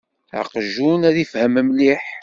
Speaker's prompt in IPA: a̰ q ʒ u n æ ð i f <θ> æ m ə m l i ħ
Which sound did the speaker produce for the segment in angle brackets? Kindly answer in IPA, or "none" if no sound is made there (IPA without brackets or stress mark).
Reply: h